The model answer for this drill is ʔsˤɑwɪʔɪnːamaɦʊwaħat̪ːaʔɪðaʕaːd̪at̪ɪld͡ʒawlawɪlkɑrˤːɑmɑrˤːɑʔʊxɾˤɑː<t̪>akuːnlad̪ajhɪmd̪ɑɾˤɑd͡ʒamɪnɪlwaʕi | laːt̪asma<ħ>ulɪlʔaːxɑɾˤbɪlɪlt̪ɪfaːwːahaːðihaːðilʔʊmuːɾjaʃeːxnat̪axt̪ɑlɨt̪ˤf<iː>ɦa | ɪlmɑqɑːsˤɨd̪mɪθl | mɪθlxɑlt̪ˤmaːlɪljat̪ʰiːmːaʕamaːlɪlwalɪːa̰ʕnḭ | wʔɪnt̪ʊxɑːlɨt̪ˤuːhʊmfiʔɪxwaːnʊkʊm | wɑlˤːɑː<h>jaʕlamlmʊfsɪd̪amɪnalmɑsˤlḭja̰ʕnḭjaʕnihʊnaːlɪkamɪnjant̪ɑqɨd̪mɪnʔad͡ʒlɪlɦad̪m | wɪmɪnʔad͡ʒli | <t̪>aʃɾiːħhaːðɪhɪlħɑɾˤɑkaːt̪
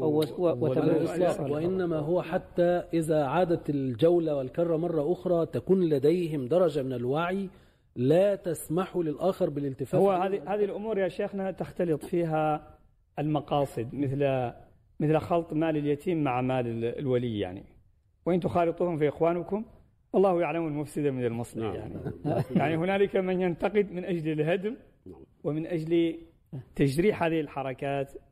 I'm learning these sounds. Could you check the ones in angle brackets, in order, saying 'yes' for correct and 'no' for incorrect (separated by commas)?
yes, yes, yes, yes, yes